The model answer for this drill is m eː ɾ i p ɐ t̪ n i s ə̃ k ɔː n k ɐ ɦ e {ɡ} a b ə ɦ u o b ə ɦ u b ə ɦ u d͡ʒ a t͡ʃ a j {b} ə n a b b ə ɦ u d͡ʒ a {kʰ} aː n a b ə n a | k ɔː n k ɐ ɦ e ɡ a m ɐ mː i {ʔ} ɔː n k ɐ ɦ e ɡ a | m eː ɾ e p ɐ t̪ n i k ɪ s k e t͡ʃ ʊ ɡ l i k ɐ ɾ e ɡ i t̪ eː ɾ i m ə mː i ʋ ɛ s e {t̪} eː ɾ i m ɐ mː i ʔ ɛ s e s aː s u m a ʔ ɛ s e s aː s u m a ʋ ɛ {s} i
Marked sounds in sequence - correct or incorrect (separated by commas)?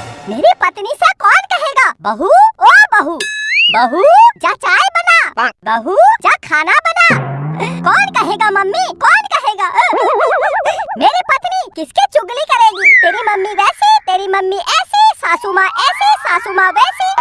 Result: correct, correct, correct, incorrect, correct, correct